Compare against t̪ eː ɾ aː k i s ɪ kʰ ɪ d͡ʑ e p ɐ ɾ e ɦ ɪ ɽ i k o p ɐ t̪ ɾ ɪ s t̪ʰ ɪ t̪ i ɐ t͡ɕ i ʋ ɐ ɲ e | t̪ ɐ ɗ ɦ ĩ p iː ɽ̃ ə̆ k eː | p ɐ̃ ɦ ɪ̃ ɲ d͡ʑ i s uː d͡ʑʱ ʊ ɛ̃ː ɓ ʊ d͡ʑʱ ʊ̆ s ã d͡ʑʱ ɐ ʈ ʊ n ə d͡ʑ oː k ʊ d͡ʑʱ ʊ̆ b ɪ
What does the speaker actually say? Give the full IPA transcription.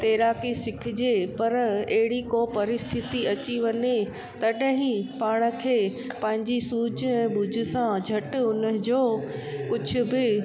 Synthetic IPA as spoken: t̪ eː ɾ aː k i s ɪ kʰ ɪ d͡ʑ e p ɐ ɾ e ɦ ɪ ɽ i k o p ɐ ɾ ɪ s t̪ʰ ɪ t̪ i ɐ t͡ɕ i ʋ ɐ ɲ e | t̪ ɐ ɗ ɦ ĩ p aː ɽ̃ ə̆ kʰ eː | p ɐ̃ ɦ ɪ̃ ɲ d͡ʑ i s uː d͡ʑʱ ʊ ɛ̃ː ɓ ʊ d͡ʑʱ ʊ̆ s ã d͡ʑʱ ɐ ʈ ʊ n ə d͡ʑ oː k ʊ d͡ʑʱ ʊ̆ b ɪ